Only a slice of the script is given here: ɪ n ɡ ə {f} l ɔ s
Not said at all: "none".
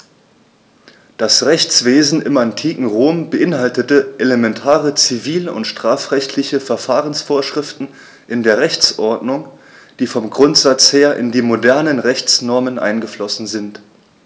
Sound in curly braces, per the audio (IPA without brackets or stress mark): f